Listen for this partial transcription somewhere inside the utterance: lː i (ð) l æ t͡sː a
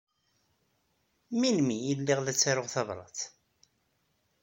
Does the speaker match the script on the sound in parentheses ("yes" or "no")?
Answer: no